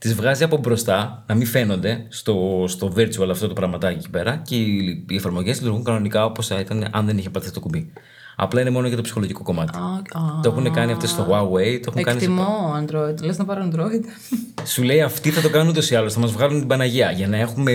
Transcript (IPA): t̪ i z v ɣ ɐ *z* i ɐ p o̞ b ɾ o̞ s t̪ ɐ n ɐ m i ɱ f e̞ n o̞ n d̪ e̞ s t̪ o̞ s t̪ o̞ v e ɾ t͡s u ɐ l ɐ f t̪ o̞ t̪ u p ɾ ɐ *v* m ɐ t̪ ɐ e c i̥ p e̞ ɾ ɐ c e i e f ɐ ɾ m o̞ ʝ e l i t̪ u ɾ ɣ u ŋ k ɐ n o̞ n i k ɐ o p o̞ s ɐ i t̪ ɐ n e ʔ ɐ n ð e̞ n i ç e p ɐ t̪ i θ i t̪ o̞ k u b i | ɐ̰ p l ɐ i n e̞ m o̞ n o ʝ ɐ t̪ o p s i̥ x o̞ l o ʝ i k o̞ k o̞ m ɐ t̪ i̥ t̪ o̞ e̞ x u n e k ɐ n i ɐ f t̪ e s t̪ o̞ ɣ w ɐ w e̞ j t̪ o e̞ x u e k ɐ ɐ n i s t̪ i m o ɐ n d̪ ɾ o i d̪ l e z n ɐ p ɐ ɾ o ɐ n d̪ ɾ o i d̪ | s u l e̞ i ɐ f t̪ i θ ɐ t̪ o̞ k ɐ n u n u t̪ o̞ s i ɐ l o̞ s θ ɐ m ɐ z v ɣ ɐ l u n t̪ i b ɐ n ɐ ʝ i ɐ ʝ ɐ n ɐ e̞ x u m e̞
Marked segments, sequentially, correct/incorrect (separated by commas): correct, incorrect